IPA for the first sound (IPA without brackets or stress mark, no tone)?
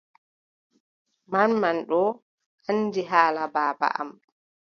m